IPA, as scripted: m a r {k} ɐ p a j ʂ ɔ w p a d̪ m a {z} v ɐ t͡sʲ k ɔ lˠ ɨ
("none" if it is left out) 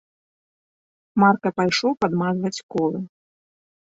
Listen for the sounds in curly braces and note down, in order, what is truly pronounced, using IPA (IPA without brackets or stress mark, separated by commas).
k, z